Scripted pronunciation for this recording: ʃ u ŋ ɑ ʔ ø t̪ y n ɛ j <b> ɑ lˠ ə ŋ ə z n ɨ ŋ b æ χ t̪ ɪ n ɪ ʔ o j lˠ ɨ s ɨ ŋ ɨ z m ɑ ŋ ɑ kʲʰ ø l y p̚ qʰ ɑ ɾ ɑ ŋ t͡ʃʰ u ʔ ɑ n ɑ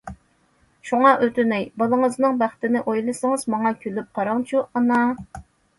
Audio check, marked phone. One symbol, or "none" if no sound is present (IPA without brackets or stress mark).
b